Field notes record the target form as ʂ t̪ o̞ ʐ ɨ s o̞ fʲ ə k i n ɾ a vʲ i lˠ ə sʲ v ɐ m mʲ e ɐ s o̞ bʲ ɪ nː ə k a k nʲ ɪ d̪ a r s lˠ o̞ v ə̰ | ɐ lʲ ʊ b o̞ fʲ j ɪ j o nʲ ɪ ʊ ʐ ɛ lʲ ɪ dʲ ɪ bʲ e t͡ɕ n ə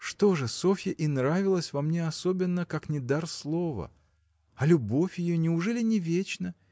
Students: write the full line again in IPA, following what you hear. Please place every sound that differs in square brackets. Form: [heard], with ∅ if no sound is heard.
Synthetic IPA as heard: ʂ t̪ o̞ ʐ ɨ s o̞ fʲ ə [ʔ] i n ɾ a vʲ [ɪ] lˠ ə sʲ v ɐ m [nʲ] e ɐ s o̞ bʲ ɪ nː ə k a k nʲ ɪ d̪ a r s lˠ o̞ v ə̰ | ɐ lʲ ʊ b o̞ fʲ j ɪ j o nʲ ɪ ʊ ʐ ɛ lʲ ɪ [nʲ] ɪ [vʲ] e t͡ɕ n ə